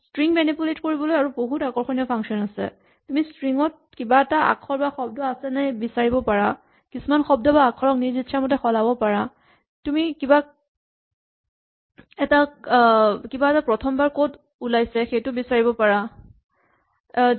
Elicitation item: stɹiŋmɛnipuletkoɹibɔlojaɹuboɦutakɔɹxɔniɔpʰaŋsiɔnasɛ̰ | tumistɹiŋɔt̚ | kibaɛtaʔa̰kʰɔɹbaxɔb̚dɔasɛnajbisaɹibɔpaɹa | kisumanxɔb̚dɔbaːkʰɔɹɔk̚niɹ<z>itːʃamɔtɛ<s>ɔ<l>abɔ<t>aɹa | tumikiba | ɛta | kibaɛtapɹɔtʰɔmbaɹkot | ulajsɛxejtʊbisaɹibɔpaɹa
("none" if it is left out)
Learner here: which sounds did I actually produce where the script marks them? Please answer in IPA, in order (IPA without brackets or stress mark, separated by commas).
z, x, l, p